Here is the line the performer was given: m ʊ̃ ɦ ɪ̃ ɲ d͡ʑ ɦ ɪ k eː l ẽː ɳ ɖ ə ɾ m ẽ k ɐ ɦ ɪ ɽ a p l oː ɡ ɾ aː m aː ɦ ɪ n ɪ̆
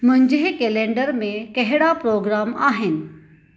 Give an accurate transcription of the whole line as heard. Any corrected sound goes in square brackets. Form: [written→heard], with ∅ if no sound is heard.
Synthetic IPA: m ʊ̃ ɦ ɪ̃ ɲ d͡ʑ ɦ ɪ k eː l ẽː ɳ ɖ ə ɾ m ẽ k ɐ ɦ ɪ ɽ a p [l→ɾ] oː ɡ ɾ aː m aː ɦ ɪ n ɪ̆